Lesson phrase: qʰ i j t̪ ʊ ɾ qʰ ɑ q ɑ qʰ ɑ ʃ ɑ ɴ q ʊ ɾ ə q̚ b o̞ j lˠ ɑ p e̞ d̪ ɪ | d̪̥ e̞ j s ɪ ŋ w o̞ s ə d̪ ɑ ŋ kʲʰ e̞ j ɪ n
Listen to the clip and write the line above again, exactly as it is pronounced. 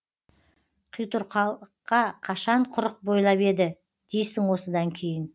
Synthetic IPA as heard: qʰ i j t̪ ʊ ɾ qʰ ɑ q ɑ qʰ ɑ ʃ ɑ ɴ qʰ ʊ ɾ ə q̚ b o̞ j lˠ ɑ p e̞ d̪ ɪ | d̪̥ e̞ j s ɪ ŋ w o̞ s ə d̪ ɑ ŋ kʲʰ e̞ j ɪ n